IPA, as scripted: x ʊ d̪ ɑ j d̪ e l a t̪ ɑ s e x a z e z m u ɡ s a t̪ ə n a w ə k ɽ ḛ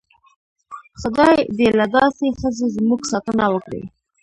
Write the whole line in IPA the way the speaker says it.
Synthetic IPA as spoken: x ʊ d̪ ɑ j d̪ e l a d̪ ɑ s e x ə z e z m u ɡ s ɑ t̪ ə n a w ə k ɽ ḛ